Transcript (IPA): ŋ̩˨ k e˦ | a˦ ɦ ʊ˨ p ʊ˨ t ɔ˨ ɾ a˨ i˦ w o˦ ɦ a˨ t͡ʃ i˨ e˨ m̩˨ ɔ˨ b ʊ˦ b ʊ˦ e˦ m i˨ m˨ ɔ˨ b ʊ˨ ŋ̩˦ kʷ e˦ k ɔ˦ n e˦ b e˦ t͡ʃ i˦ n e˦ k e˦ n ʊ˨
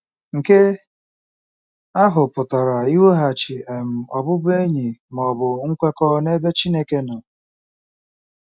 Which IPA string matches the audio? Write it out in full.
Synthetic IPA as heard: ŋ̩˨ k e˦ | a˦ ɦ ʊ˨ p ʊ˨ t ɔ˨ ɾ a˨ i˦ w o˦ ɦ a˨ t͡ʃ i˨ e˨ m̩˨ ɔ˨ b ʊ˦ b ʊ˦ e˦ ɲ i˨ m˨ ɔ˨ b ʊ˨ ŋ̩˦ kʷ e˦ k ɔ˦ n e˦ b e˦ t͡ʃ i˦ n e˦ k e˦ n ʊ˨